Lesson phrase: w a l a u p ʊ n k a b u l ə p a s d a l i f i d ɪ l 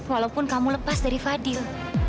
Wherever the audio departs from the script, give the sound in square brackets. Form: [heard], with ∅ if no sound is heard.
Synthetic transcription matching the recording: w a l a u p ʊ n k a [m] u l ə p a s d a [ɾ] i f [a] d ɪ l